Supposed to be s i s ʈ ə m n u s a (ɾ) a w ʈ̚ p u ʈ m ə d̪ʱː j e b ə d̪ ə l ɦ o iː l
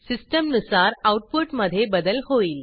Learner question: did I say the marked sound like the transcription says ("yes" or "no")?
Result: yes